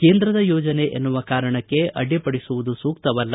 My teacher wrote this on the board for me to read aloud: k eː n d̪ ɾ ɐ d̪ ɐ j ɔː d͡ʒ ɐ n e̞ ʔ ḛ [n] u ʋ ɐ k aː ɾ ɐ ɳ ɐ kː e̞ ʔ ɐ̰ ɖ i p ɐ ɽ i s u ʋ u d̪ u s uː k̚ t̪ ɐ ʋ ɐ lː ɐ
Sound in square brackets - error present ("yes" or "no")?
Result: yes